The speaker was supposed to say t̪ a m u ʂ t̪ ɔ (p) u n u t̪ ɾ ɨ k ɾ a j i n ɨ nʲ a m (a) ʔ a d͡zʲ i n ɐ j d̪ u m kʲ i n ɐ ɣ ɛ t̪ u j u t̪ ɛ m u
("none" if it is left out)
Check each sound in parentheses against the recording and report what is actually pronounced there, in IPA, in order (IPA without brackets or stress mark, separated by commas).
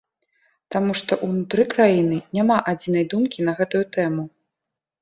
ʔ, a